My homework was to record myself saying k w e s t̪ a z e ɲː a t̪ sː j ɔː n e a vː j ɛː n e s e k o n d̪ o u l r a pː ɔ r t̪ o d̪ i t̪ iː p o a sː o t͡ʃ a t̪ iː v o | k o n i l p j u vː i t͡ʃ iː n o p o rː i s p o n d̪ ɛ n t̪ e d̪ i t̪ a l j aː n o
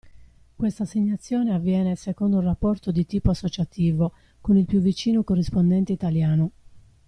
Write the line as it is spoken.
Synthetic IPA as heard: k w e s t̪ a s e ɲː a t̪ sː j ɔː n e a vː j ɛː n e s e k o n d̪ o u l r a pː ɔ r t̪ o d̪ i t̪ iː p o a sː o t͡ʃ a t̪ iː v o | k o n i l p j u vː i t͡ʃ iː n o k o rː i s p o n d̪ ɛ n t̪ e i t̪ a l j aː n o